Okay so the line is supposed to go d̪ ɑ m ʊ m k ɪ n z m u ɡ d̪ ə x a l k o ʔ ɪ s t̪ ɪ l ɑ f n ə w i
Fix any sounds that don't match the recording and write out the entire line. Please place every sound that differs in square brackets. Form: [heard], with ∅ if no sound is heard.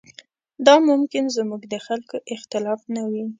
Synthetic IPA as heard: d̪ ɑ m ʊ m k ɪ n z m u ɡ d̪ ə x a l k o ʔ ɪ [x] t̪ ɪ l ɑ f n [a] w i